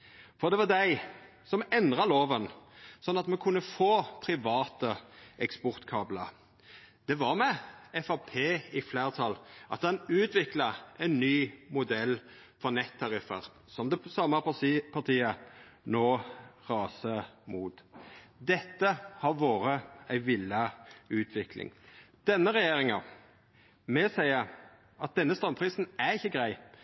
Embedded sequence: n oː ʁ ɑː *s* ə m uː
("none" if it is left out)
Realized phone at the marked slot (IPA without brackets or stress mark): s